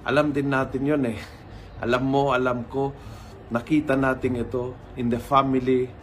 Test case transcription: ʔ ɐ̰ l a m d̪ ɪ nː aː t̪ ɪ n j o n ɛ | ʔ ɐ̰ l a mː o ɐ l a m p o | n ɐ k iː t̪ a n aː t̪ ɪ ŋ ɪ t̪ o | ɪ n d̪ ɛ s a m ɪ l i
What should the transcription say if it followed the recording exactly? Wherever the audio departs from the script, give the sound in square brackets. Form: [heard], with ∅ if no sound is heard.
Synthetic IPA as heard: ʔ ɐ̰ l a m d̪ ɪ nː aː t̪ ɪ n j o n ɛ | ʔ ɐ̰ l a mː o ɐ l a m [k] o | n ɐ k iː t̪ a n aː t̪ ɪ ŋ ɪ t̪ o | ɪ n d̪ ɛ [f] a m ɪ l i